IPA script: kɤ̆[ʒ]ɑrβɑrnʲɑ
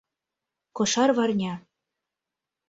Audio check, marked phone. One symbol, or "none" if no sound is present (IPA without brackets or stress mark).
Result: ʃ